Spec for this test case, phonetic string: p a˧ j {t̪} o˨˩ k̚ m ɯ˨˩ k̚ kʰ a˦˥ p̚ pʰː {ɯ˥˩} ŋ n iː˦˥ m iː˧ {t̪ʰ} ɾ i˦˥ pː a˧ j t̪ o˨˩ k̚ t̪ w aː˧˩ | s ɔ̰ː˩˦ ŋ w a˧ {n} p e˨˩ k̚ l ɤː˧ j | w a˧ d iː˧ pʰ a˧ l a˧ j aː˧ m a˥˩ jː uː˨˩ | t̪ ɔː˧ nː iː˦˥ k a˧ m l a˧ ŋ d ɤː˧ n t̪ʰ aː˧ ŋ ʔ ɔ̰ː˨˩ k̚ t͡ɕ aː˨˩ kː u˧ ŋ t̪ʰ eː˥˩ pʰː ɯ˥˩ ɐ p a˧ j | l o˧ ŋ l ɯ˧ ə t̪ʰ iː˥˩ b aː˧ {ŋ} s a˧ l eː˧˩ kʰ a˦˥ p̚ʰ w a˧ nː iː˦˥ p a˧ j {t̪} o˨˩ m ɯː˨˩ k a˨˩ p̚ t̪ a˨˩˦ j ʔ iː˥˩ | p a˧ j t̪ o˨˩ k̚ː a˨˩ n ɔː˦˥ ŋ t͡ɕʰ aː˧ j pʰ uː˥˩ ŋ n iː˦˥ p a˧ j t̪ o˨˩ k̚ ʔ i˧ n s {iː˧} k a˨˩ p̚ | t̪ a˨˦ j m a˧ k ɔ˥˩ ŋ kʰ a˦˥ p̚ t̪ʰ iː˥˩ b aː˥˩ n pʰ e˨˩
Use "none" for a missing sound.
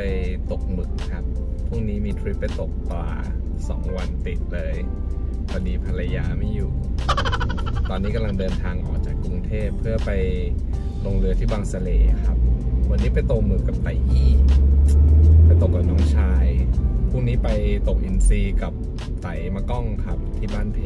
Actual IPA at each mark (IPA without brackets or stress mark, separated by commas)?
t̪, u˥˩, t̪ʰ, n, ŋ, t̪, iː˧